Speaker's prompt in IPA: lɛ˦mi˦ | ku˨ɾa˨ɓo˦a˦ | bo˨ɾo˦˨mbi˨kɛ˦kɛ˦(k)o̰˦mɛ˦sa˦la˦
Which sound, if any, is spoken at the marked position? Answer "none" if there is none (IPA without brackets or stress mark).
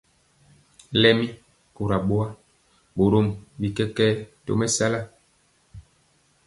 t